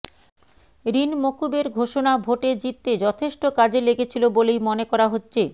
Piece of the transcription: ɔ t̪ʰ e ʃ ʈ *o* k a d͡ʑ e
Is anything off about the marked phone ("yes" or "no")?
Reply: no